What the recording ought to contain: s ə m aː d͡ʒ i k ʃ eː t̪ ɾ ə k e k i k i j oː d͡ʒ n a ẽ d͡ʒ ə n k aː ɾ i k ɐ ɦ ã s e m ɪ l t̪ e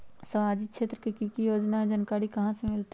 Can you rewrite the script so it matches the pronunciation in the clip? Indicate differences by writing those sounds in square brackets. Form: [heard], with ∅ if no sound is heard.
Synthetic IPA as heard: s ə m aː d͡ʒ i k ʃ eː t̪ ɾ ə k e k i k i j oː d͡ʒ n a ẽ d͡ʒ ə n k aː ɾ i k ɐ ɦ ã s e m ɪ l t̪ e